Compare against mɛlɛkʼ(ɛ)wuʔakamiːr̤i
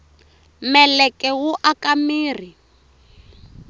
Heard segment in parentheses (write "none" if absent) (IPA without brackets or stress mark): ɛ